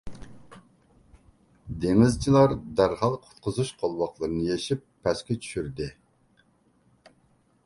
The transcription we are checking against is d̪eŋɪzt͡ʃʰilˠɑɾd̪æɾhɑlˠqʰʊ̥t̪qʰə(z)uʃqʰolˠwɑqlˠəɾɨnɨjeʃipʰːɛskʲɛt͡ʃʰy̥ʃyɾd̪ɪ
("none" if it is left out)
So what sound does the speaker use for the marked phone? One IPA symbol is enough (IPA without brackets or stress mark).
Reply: z